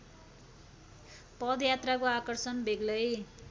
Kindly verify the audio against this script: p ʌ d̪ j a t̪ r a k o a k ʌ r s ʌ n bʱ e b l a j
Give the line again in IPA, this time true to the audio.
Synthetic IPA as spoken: p ʌ d̪ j a t̪ r a k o a k ʌ r s ʌ n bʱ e ɡ l ʌ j